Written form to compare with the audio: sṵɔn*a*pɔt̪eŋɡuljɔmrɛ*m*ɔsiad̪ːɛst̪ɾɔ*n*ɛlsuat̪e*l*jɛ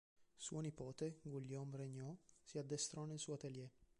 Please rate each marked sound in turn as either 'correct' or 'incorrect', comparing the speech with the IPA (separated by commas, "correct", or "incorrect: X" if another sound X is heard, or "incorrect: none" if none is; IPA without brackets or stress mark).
incorrect: i, incorrect: ɲ, correct, correct